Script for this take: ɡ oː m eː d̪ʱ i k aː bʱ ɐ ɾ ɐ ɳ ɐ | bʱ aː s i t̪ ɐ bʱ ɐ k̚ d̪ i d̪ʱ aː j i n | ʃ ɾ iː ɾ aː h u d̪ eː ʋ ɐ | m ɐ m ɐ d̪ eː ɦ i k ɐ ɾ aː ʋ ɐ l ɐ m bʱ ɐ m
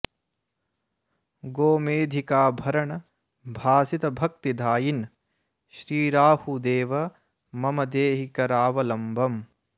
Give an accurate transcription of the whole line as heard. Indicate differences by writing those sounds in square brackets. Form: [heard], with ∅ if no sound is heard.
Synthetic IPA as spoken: ɡ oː m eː d̪ʱ i k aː bʱ ɐ ɾ ɐ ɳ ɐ | bʱ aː s i t̪ ɐ bʱ ɐ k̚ [t̪] i d̪ʱ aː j i n | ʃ ɾ iː ɾ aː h u d̪ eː ʋ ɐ | m ɐ m ɐ d̪ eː ɦ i k ɐ ɾ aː ʋ ɐ l ɐ m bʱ ɐ m